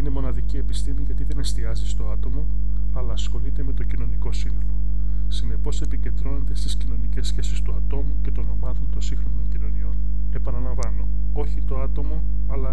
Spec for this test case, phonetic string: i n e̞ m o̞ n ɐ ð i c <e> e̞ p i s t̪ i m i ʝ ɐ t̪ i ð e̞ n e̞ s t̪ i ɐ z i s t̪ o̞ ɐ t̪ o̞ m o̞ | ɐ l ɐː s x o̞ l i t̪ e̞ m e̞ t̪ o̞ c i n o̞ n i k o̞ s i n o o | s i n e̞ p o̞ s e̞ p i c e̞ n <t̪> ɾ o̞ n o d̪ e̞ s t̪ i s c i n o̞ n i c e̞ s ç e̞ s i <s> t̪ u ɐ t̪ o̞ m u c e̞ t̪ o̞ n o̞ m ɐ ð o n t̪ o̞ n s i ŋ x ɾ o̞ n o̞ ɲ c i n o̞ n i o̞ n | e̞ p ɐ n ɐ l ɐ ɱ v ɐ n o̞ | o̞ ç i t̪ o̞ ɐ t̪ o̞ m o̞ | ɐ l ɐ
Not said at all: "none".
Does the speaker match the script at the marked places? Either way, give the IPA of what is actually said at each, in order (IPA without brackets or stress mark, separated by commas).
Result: i, d̪, s